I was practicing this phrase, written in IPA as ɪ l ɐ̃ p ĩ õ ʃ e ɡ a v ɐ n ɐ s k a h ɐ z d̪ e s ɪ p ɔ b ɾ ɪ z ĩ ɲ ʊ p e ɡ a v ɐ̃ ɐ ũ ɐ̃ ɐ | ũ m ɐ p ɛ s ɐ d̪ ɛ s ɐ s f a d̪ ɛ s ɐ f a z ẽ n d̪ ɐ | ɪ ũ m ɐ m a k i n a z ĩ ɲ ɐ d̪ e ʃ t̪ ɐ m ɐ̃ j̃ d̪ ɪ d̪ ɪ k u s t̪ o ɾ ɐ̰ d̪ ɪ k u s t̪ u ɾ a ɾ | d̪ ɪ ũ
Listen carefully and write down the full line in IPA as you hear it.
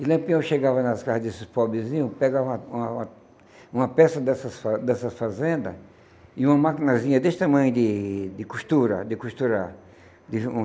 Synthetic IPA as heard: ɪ l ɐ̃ p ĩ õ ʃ e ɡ a v ɐ n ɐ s k a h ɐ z d̪ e s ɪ p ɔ b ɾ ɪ z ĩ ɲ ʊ p e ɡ a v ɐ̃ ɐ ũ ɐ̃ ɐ | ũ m ɐ p ɛ s ɐ d̪ ɛ s ɐ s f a d̪ ɛ s ɐ f a z ẽ n d̪ ɐ | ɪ ũ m ɐ m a k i n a z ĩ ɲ ɐ d̪ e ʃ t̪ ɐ m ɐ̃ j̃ d̪ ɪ d̪ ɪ k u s t̪ u ɾ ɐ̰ d̪ ɪ k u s t̪ u ɾ a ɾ | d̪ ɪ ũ